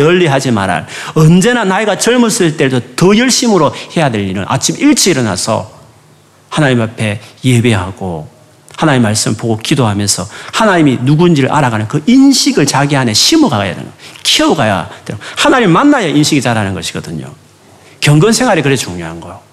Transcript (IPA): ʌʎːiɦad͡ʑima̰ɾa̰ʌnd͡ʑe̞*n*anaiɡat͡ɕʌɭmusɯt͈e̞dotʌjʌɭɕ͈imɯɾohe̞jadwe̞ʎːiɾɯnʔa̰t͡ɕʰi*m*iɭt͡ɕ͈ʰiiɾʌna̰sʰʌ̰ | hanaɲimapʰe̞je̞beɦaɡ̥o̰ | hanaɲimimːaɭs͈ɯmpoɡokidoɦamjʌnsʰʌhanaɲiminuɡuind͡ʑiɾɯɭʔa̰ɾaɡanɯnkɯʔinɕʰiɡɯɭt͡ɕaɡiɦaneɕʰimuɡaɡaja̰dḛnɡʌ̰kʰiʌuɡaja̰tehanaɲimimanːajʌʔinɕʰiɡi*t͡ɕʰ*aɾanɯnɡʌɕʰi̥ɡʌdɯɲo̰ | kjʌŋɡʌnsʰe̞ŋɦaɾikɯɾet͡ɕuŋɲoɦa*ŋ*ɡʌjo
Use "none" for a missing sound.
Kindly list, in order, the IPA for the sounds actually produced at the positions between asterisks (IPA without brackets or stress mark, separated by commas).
n, m, t͡ɕ, n